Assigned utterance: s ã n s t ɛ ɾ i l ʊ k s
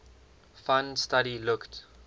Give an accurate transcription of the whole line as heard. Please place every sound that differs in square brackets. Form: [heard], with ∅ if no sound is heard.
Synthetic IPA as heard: [f] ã n s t [a] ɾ i l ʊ k [t]